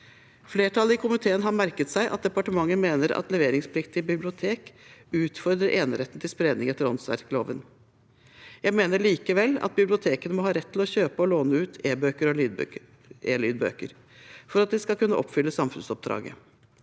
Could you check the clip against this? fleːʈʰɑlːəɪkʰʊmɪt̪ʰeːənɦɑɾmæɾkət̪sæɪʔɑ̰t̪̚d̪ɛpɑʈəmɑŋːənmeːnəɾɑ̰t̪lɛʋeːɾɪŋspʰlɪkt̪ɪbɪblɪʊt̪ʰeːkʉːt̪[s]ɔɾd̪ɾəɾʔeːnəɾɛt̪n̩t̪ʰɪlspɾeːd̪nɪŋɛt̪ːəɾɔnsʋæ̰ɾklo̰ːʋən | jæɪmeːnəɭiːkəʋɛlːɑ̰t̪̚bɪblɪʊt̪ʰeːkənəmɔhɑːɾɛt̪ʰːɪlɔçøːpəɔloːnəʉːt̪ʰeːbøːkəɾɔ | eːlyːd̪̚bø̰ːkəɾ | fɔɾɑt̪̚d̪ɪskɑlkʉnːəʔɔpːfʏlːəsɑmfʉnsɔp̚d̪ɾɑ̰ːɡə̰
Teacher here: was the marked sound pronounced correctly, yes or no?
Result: no